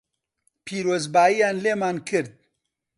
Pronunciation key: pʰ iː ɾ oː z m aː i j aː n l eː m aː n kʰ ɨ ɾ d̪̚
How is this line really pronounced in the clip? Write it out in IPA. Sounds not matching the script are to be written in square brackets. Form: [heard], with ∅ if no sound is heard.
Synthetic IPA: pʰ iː ɾ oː z [b] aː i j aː n l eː m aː n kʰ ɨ ɾ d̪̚